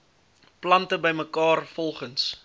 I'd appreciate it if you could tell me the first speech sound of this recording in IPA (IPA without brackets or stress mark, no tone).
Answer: p